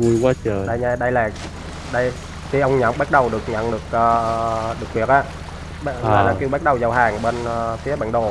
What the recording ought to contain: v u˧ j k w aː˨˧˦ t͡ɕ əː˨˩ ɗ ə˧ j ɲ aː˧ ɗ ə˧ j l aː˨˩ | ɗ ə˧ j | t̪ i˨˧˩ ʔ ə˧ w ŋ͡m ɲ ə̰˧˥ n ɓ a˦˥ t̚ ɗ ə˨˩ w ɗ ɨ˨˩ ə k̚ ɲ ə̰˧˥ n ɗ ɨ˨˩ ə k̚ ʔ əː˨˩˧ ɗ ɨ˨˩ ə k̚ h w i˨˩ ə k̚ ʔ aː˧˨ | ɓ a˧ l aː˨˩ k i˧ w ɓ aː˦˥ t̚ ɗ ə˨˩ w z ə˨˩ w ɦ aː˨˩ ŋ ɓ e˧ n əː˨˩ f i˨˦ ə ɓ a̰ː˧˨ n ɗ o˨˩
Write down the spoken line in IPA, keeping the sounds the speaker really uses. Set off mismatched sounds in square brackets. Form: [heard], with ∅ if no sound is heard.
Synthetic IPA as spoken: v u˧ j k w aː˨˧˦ t͡ɕ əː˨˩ ɗ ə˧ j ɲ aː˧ ɗ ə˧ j l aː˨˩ | ɗ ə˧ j | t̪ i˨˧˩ ʔ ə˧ w ŋ͡m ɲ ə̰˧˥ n ɓ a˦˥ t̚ ɗ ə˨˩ w ɗ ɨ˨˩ ə k̚ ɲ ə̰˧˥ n ɗ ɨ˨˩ ə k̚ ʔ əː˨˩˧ ɗ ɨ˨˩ ə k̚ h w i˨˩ ə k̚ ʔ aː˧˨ | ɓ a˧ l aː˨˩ k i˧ w ɓ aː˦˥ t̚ ɗ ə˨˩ w z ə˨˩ w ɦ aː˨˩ ŋ ɓ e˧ n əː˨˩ f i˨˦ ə ɓ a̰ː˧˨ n ɗ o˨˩